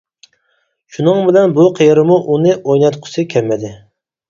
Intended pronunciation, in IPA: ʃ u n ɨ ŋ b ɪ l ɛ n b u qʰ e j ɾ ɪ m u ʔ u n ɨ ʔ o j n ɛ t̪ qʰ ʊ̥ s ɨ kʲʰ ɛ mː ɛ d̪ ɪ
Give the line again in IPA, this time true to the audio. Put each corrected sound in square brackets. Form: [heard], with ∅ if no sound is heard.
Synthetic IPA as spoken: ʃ u n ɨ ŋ b ɪ l ɛ n b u qʰ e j ɾ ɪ m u ʔ u n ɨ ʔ o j n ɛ t̪ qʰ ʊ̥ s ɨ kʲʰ ɛ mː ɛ d̪ ɪ